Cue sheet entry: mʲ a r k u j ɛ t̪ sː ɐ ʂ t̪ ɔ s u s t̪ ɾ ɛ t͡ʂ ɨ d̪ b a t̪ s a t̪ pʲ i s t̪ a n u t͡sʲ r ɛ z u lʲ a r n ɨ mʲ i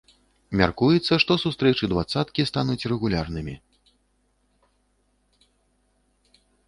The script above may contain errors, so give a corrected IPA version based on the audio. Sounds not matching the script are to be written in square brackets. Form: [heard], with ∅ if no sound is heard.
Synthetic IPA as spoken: mʲ a r k u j ɛ t̪ sː ɐ ʂ t̪ ɔ s u s t̪ ɾ ɛ t͡ʂ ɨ d̪ [v] a t̪ s a t̪ [kʲ] i s t̪ a n u t͡sʲ r ɛ [ɣ] u lʲ a r n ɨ mʲ i